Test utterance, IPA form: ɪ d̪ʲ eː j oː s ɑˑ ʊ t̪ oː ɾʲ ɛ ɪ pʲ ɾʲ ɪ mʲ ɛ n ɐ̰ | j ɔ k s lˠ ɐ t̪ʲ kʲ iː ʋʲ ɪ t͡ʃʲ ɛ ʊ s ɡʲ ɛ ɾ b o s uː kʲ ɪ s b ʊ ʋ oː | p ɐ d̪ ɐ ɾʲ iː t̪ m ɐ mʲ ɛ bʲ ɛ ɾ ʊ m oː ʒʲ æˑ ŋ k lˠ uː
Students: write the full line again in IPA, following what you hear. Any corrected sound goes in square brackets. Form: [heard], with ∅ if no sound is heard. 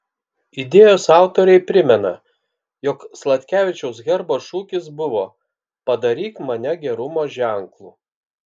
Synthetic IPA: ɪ d̪ʲ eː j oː s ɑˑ ʊ t̪ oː ɾʲ ɛ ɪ pʲ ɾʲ ɪ mʲ ɛ n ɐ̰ | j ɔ k s lˠ ɐ t̪ʲ kʲ [æː] ʋʲ ɪ t͡ʃʲ ɛ ʊ s ɡʲ ɛ ɾ b o [ʃ] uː kʲ ɪ s b ʊ ʋ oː | p ɐ d̪ ɐ ɾʲ iː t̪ m ɐ [nʲ] ɛ [ɡʲ] ɛ ɾ ʊ m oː ʒʲ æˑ ŋ k lˠ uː

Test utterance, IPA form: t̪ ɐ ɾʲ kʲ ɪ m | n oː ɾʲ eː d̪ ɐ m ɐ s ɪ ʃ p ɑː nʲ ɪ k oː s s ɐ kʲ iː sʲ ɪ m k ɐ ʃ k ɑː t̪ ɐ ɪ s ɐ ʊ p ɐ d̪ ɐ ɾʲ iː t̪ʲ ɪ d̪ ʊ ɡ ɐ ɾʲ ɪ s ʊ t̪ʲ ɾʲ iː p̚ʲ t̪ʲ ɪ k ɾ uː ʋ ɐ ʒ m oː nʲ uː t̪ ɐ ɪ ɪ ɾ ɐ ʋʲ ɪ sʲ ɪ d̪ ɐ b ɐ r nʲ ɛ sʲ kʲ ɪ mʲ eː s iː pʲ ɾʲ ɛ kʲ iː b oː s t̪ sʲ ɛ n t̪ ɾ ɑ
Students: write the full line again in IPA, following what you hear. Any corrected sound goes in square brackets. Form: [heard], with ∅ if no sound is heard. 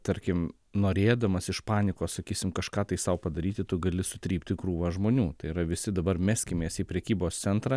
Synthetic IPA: t̪ ɐ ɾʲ kʲ ɪ m | n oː ɾʲ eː d̪ ɐ m ɐ s ɪ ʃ p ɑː nʲ ɪ k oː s s ɐ kʲ iː sʲ ɪ m k ɐ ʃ k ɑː t̪ ɐ ɪ s ɐ ʊ p ɐ d̪ ɐ ɾʲ iː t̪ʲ ɪ [t̪] ʊ ɡ ɐ [lʲ] ɪ s ʊ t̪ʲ ɾʲ iː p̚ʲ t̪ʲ ɪ k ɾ uː ʋ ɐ ʒ m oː nʲ uː t̪ ɐ ɪ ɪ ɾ ɐ ʋʲ ɪ sʲ ɪ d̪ ɐ b ɐ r [mʲ] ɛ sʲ kʲ ɪ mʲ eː s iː pʲ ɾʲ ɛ kʲ iː b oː s t̪ sʲ ɛ n t̪ ɾ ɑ

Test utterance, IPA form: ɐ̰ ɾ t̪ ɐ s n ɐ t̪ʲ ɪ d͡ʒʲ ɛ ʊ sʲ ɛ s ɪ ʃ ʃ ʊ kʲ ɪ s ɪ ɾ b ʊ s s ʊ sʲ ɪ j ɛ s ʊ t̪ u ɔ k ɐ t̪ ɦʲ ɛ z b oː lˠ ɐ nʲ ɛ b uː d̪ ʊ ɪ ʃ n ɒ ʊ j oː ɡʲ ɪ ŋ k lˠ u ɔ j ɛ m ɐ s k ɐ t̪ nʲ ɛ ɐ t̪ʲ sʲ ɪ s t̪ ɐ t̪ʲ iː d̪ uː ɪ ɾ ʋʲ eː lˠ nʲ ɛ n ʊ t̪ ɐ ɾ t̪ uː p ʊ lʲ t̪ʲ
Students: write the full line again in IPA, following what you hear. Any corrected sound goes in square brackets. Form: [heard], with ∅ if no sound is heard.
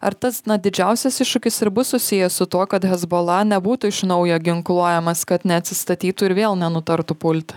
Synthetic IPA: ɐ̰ ɾ t̪ ɐ s n ɐ [d̪ʲ] ɪ d͡ʒʲ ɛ ʊ sʲ ɛ s ɪ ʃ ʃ ʊ kʲ ɪ s ɪ ɾ b ʊ s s ʊ sʲ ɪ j ɛ s ʊ t̪ u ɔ k ɐ t̪ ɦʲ ɛ z b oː lˠ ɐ nʲ ɛ b uː [t̪] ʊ ɪ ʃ n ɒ ʊ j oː ɡʲ ɪ ŋ k lˠ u ɔ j ɛ m ɐ s k ɐ t̪ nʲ ɛ ɐ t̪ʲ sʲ ɪ s t̪ ɐ t̪ʲ iː [t̪] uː ɪ ɾ ʋʲ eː lˠ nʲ ɛ n ʊ t̪ ɐ ɾ t̪ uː p ʊ lʲ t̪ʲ

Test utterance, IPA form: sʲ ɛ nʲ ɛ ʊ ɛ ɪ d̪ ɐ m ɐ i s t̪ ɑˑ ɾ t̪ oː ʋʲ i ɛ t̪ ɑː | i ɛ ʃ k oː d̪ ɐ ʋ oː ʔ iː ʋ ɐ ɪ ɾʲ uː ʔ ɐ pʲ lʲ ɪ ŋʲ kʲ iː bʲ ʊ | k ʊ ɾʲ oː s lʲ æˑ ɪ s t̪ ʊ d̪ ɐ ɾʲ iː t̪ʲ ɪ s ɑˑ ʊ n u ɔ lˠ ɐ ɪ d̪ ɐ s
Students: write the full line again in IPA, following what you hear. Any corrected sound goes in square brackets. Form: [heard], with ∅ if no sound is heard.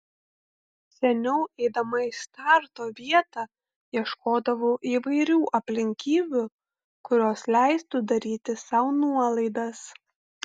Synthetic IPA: sʲ ɛ nʲ ɛ ʊ ɛ ɪ d̪ ɐ m ɐ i s t̪ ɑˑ ɾ t̪ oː ʋʲ i ɛ t̪ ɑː | i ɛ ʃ k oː d̪ ɐ ʋ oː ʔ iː ʋ ɐ ɪ ɾʲ uː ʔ ɐ pʲ lʲ ɪ ŋʲ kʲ iː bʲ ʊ | k ʊ ɾʲ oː s lʲ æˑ ɪ s t̪ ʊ d̪ ɐ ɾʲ iː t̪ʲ ɪ s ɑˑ ʊ n u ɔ lˠ ɐ ɪ d̪ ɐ s

